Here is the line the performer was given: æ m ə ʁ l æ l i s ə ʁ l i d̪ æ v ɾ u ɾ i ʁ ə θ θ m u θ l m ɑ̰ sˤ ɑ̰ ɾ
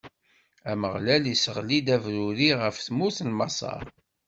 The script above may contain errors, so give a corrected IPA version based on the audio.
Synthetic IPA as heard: æ m ə ʁ l æ l i s ə ʁ l i d̪ æ v ɾ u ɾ i ʁ ə f θ m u θ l m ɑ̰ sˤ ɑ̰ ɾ

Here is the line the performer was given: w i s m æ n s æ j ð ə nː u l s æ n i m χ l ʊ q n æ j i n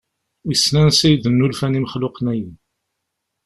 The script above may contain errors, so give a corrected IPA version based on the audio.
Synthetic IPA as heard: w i s n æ n s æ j ð ə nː u l f æ n i m χ l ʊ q n æ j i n

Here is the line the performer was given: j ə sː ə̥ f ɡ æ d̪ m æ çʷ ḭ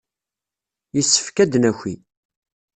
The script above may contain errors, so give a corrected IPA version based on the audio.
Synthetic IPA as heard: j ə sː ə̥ f k æ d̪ n æ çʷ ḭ

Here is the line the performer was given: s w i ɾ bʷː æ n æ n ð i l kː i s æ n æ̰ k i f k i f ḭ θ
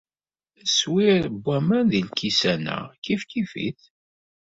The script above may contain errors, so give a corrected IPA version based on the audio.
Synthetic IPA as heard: s w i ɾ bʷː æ m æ n ð i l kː i s æ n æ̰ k i f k i f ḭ θ

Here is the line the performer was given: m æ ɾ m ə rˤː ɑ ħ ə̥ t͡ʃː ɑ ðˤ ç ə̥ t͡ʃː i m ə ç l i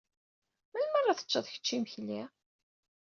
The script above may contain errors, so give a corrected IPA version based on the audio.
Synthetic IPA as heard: m æ l m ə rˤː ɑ θ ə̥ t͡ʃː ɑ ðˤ ç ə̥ t͡ʃː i m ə ç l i

